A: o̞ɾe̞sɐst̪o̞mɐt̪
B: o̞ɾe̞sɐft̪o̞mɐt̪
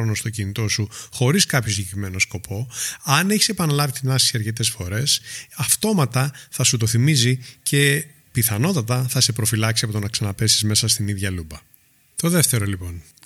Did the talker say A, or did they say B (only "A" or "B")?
B